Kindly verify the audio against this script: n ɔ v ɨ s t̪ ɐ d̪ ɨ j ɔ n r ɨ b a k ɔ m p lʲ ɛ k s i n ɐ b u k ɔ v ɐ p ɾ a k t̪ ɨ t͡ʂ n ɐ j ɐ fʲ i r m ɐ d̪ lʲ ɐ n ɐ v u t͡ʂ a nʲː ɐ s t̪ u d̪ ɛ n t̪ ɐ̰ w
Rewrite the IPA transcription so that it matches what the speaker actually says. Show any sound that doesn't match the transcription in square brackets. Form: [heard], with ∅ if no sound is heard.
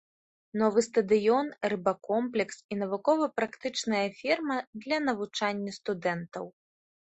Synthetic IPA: n ɔ v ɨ s t̪ ɐ d̪ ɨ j ɔ n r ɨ b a k ɔ m p lʲ ɛ k s i n ɐ [v] u k ɔ v ɐ p ɾ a k t̪ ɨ t͡ʂ n ɐ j ɐ fʲ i r m ɐ d̪ lʲ ɐ n ɐ v u t͡ʂ a nʲː ɐ s t̪ u d̪ ɛ n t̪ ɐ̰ w